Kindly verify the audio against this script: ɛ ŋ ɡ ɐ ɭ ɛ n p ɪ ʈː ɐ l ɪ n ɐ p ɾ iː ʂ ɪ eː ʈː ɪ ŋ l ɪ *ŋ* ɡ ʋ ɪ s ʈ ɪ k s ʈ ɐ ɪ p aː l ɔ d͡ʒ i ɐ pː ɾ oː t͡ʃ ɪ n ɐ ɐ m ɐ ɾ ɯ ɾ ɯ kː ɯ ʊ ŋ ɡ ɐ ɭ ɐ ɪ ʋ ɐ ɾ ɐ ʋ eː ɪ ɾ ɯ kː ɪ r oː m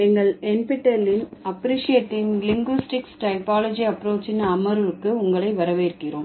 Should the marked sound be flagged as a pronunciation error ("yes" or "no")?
no